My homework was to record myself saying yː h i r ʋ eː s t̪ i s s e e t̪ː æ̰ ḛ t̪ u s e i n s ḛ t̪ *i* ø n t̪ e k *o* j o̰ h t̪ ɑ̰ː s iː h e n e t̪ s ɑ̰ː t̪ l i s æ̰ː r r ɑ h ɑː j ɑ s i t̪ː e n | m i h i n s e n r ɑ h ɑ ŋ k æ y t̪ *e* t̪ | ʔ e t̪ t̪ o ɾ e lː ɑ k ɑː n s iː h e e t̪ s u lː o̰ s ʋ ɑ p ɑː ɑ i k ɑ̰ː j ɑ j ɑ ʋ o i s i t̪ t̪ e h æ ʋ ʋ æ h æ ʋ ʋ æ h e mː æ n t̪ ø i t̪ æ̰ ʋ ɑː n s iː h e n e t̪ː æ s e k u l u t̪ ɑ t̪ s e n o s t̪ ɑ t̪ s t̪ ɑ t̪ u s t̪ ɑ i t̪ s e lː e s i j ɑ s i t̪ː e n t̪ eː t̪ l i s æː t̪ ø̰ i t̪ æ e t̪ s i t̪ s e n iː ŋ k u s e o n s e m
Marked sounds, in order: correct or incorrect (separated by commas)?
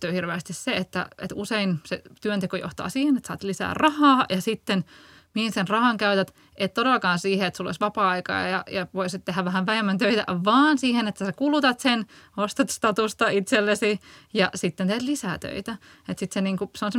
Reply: incorrect, correct, incorrect